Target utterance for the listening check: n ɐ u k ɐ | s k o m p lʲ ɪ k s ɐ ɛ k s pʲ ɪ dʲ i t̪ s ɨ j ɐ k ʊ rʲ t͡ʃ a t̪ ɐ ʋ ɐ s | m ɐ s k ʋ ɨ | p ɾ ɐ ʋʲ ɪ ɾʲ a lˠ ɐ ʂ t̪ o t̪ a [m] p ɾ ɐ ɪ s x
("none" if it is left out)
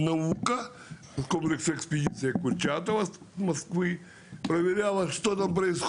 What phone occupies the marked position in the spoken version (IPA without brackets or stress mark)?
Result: m